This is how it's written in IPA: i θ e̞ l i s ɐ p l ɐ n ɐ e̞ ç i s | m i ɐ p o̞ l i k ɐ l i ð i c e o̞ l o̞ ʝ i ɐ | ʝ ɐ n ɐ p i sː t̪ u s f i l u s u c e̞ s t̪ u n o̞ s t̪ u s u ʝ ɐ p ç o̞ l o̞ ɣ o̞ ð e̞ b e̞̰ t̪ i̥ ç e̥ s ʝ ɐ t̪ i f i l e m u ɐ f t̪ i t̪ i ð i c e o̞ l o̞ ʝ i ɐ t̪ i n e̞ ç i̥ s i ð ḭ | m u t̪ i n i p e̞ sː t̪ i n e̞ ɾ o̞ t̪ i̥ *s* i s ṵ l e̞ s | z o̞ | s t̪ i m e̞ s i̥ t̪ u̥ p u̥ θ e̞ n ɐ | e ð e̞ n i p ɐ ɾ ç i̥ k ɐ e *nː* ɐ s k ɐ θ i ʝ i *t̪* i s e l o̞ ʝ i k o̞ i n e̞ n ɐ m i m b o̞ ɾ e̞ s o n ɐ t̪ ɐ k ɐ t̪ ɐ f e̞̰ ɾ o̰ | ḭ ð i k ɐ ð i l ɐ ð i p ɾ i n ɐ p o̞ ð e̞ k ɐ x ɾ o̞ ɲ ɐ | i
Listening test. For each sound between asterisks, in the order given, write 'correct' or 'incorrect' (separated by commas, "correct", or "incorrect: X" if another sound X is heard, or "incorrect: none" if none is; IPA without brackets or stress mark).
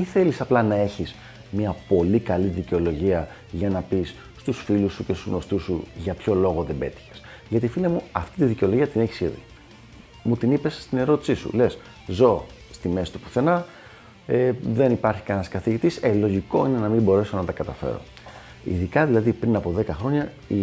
correct, incorrect: n, correct